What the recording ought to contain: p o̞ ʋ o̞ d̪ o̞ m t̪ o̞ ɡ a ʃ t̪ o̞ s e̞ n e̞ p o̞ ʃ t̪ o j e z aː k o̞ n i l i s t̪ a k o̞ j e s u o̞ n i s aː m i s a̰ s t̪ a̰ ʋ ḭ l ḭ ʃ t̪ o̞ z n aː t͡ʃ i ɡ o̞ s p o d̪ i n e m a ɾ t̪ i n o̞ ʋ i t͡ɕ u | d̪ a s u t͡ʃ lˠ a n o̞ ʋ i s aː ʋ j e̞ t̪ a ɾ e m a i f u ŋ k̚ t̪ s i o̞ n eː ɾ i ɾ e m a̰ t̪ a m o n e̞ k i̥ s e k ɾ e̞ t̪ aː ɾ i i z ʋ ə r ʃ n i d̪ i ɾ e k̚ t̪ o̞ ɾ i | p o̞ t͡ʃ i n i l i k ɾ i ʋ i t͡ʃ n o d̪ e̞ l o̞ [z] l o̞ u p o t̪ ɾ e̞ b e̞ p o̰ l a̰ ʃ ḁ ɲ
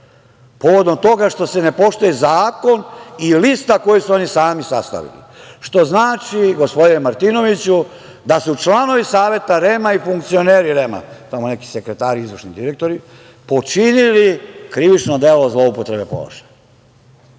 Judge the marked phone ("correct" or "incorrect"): correct